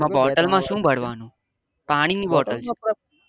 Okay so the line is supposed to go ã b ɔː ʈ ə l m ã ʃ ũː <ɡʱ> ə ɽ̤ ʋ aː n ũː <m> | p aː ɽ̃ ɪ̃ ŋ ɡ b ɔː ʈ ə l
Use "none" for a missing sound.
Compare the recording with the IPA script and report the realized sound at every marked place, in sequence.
bʱ, none

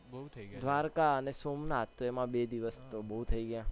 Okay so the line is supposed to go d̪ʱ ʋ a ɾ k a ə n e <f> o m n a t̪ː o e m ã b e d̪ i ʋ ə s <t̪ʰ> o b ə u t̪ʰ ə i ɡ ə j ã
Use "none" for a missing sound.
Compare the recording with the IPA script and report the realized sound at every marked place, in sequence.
s, t̪

